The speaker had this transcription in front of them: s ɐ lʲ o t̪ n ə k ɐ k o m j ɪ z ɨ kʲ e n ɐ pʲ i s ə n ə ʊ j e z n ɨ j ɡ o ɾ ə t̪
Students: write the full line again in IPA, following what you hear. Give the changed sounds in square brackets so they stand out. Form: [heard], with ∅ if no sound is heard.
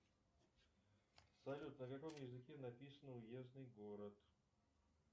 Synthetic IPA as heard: s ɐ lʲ [u] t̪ n ə k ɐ k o m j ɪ z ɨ kʲ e n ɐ pʲ i s ə n ə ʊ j e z n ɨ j ɡ o ɾ ə t̪